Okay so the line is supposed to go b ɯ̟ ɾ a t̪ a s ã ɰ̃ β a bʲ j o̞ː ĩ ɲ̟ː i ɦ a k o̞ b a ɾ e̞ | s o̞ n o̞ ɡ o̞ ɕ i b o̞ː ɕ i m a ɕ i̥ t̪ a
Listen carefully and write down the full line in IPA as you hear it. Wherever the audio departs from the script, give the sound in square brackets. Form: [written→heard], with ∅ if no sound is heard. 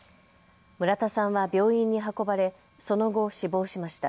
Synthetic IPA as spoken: [b→m] ɯ̟ ɾ a t̪ a s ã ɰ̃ β a bʲ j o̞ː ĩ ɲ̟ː i ɦ a k o̞ b a ɾ e̞ | s o̞ n o̞ ɡ o̞ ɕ i b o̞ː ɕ i m a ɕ i̥ t̪ a